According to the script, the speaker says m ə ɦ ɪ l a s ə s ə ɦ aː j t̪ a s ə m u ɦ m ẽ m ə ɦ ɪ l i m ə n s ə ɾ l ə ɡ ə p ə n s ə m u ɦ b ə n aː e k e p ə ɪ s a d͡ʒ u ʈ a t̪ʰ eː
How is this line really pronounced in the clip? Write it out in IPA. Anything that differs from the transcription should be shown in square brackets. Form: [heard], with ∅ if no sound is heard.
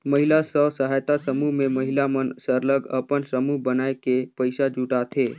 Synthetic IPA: m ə ɦ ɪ l a s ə s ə ɦ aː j t̪ a s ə m u ɦ m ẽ m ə ɦ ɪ l [a] m ə n s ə ɾ l ə ɡ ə p ə n s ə m u ɦ b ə n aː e k e p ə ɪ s a d͡ʒ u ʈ a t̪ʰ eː